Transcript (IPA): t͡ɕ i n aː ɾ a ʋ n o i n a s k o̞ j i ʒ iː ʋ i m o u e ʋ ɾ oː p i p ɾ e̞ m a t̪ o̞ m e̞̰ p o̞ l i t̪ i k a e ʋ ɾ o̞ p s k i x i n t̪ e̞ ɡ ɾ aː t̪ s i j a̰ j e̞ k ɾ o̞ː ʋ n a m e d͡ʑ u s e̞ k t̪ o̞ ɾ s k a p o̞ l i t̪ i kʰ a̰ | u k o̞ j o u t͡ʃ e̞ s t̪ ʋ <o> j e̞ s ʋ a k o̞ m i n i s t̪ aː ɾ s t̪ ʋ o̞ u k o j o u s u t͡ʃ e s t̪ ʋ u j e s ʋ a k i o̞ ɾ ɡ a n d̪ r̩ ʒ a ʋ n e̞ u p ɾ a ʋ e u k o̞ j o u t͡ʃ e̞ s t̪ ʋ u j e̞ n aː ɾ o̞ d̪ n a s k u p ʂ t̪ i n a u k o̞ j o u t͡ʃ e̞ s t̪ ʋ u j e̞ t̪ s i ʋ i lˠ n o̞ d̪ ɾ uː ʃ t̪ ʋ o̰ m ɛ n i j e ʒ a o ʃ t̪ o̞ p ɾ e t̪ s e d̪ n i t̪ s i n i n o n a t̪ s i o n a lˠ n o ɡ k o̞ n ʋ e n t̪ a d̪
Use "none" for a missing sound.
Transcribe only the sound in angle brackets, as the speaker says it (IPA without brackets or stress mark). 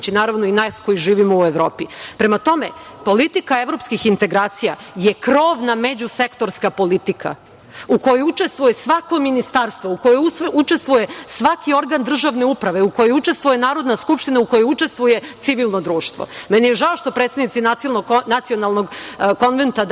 u